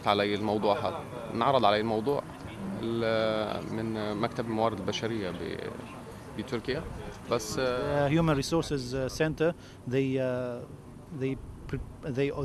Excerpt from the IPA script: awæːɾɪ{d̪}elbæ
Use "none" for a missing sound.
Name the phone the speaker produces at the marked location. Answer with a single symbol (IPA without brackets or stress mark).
d̪